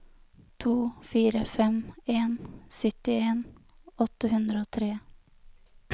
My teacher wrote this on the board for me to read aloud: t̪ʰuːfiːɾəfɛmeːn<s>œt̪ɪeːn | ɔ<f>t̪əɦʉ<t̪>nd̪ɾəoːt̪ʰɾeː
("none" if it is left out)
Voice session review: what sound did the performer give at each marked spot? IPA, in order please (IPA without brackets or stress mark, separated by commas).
s, none, none